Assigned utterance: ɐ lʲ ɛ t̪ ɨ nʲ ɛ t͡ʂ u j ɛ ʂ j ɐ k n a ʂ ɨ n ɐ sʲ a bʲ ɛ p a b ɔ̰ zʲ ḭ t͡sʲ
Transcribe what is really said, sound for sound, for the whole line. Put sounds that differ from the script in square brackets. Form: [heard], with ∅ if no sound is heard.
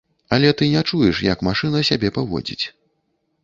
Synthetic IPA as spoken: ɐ lʲ ɛ t̪ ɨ nʲ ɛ t͡ʂ u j ɛ ʂ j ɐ k [m] a ʂ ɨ n ɐ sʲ a bʲ ɛ p a [v] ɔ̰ [d͡zʲ] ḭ t͡sʲ